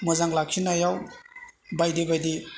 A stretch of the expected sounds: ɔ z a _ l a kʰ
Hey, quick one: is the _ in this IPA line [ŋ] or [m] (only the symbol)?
ŋ